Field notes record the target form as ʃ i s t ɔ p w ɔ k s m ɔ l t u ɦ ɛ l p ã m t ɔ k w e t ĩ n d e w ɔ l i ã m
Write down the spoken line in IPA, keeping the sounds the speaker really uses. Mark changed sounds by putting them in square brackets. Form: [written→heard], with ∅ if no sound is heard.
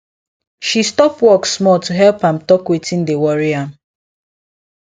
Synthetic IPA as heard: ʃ i s t ɔ p w ɔ k s m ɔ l t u ɦ ɛ l p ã m t ɔ k w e t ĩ n d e w ɔ [l→ɹ] i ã m